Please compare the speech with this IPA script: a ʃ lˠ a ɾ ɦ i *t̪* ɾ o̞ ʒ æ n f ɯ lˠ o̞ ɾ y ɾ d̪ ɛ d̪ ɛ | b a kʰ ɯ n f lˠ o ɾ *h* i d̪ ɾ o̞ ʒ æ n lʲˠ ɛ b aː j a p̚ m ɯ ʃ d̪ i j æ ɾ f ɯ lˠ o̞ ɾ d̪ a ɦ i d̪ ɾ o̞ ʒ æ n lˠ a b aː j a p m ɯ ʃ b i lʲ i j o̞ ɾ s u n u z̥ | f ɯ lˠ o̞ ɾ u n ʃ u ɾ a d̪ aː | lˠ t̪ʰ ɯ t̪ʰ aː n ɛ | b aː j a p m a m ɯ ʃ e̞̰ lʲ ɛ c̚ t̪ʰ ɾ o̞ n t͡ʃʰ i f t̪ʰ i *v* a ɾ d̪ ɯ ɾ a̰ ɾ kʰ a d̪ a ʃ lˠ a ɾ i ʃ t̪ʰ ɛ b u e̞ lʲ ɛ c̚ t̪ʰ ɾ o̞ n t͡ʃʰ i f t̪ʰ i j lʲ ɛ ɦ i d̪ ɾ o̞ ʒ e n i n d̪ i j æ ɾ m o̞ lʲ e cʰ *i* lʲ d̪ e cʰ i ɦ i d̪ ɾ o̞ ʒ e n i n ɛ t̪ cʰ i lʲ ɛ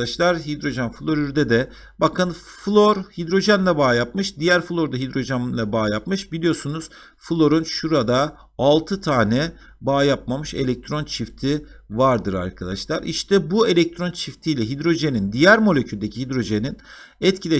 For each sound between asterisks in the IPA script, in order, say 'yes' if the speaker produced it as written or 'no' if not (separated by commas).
no, yes, yes, no